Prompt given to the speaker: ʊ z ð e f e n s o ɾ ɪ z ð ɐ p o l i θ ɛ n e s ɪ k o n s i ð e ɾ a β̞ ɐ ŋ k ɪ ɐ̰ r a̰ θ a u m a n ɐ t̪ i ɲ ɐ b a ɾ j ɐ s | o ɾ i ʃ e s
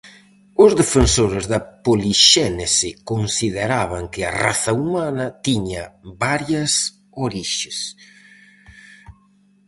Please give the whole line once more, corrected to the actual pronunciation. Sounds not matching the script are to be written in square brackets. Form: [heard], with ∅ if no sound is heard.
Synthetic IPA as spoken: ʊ z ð e f e n s o ɾ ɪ z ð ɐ p o l i [ʃ] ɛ n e s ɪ k o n s i ð e ɾ a β̞ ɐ ŋ k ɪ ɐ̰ r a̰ θ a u m a n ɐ t̪ i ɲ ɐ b a ɾ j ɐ s | o ɾ i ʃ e s